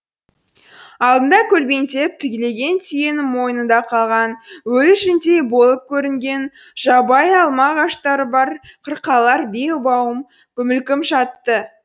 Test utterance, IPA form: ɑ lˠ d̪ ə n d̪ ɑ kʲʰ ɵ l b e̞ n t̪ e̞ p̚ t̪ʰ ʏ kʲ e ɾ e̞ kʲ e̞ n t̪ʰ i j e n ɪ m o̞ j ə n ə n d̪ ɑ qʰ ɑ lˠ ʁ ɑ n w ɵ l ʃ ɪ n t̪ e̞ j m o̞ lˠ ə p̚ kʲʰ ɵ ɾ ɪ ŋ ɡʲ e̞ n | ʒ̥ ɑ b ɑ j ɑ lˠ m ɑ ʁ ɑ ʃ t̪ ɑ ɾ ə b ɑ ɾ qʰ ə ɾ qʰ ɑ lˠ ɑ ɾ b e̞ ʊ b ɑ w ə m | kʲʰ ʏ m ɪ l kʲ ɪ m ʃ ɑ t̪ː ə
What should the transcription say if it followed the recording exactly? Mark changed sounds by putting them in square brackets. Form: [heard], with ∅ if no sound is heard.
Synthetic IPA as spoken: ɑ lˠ d̪ ə n d̪ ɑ kʲʰ ɵ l b e̞ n t̪ e̞ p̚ t̪ʰ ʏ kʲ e [l] e̞ [ɡʲ] e̞ n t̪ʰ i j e n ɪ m o̞ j ə n ə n d̪ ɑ qʰ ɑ lˠ ʁ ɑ n w ɵ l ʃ ɪ n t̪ e̞ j [b] o̞ lˠ ə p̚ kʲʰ ɵ ɾ ɪ ŋ ɡʲ e̞ n | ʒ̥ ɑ b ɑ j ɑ lˠ m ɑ ʁ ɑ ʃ t̪ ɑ ɾ ə b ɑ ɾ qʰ ə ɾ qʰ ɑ lˠ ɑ ɾ b e̞ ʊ b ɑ w ə m | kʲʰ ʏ m ɪ l kʲ ɪ m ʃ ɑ t̪ː ə